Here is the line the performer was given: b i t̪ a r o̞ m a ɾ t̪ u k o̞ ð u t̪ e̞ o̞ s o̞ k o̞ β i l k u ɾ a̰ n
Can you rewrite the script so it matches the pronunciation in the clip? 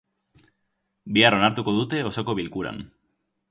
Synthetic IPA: b i a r o̞ n a ɾ t̪ u k o̞ ð u t̪ e̞ o̞ s o̞ k o̞ β i l k u ɾ a̰ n